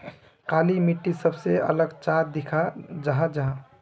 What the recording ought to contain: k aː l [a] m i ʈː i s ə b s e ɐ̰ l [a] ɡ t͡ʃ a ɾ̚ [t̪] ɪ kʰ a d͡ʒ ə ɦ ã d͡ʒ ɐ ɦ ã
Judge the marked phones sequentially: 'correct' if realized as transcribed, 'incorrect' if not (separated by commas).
incorrect, incorrect, incorrect